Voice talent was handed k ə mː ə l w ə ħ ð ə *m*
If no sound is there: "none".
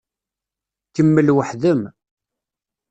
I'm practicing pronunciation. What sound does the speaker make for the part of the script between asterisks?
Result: m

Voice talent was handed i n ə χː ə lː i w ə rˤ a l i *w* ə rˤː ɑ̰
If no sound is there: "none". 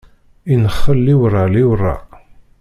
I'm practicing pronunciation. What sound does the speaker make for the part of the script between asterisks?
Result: w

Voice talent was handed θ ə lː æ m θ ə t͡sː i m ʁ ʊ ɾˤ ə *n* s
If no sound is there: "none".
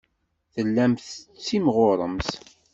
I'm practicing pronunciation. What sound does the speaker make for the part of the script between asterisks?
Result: m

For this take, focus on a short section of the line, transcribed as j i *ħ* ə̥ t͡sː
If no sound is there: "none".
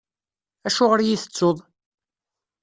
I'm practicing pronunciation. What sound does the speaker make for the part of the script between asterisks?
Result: θ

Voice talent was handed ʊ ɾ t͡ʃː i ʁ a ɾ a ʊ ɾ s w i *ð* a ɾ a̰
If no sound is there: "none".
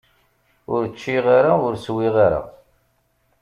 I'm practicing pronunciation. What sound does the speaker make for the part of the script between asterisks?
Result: ʁ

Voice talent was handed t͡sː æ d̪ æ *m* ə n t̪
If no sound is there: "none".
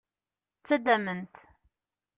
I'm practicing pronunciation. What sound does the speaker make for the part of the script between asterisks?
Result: m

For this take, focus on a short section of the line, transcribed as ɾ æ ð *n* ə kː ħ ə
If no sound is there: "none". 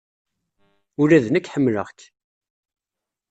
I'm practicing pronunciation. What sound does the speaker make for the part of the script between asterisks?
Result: n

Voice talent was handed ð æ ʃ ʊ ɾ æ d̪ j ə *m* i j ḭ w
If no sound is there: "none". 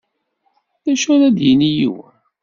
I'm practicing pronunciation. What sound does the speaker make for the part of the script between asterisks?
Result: n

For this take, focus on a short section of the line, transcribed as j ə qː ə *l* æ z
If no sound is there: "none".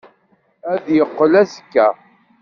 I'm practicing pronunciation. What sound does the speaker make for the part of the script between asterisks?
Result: l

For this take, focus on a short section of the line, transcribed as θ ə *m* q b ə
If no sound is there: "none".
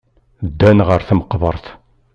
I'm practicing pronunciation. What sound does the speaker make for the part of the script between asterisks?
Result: m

